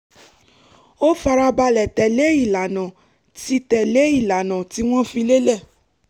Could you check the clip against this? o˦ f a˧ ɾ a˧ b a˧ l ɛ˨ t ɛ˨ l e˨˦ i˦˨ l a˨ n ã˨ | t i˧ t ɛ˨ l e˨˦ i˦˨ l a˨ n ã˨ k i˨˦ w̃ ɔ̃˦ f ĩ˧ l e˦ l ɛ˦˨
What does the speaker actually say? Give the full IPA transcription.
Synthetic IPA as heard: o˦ f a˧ ɾ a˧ b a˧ l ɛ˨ t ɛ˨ l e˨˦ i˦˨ l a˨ n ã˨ | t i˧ t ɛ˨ l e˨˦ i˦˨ l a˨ n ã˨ t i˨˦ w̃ ɔ̃˦ f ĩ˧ l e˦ l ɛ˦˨